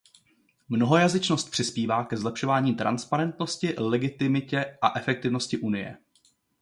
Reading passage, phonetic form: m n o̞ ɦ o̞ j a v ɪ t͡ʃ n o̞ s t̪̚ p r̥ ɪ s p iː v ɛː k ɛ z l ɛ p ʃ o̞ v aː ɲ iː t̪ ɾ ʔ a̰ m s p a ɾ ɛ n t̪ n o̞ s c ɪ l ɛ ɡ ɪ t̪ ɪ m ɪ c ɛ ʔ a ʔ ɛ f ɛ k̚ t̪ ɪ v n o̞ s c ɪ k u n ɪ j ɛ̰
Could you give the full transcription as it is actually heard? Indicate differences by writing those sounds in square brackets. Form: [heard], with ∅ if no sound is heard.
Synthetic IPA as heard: m n o̞ ɦ o̞ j a [z] ɪ t͡ʃ n o̞ s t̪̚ p r̥ ɪ s p iː v [aː] k ɛ z l ɛ p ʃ o̞ v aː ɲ iː t̪ ɾ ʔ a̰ [n] s p a ɾ ɛ n t̪ n o̞ s c ɪ l ɛ ɡ ɪ t̪ ɪ m ɪ c ɛ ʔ a ʔ ɛ f ɛ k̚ t̪ ɪ v n o̞ s c ɪ [ʔ] u n ɪ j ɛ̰